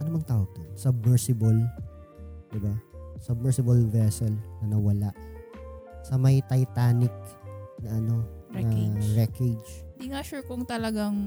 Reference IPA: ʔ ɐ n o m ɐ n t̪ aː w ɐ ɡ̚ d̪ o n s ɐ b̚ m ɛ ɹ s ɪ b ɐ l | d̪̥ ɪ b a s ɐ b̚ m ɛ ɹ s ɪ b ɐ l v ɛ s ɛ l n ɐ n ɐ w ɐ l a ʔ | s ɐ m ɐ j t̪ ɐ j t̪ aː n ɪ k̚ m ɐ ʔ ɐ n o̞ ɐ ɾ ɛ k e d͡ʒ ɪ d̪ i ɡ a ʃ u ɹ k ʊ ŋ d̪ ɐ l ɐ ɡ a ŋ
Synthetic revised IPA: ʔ ɐ n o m ɐ ŋ t̪ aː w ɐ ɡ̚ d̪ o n s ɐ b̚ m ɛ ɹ s ɪ b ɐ l | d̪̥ ɪ b a s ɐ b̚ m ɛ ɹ s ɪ b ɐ l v ɛ s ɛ l n ɐ n ɐ w ɐ l a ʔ | s ɐ m ɐ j t̪ ɐ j t̪ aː n ɪ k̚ n ɐ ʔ ɐ n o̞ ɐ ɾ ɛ k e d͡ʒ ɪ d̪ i ŋ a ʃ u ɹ k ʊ ŋ t̪ ɐ l ɐ ɡ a ŋ